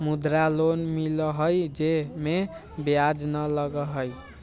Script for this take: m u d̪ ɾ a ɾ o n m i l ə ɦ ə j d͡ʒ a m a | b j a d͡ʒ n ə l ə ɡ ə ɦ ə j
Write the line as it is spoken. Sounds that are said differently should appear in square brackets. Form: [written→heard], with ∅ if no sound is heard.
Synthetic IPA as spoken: m u d̪ ɾ a [ɾ→l] o n m i l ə ɦ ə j d͡ʒ [a→e] m [a→e] | b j a d͡ʒ n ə l ə ɡ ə ɦ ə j